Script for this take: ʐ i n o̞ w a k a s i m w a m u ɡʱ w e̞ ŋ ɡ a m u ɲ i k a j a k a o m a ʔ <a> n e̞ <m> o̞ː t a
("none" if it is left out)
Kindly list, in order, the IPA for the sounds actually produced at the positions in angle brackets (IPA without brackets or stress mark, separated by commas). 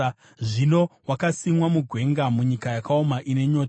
i, ɲ